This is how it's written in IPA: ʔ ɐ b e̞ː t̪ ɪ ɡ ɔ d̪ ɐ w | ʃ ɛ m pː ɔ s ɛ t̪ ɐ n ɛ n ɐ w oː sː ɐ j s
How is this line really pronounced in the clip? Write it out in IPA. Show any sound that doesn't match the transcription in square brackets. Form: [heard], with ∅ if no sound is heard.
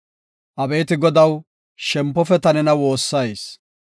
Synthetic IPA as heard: ʔ ɐ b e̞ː t̪ ɪ ɡ ɔ d̪ ɐ w | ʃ ɛ m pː ɔ [f] ɛ t̪ ɐ n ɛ n ɐ w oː sː ɐ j s